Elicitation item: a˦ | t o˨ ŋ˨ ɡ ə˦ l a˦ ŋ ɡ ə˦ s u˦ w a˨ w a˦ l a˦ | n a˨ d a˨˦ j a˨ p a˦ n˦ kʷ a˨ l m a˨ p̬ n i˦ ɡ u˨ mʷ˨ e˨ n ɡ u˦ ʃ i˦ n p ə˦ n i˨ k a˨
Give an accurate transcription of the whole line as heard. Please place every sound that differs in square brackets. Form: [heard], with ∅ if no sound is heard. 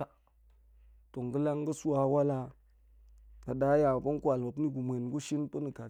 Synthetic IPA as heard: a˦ | t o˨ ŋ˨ ɡ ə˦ l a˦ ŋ ɡ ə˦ s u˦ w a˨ w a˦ l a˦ | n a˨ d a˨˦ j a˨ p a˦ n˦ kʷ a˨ l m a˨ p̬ n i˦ ɡ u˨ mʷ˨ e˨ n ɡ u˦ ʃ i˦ n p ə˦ n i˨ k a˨